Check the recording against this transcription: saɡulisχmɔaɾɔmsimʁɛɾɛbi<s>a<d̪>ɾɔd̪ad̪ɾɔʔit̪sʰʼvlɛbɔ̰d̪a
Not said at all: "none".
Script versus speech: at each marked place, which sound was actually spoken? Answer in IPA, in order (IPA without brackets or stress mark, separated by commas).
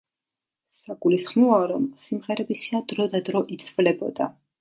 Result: s, d̪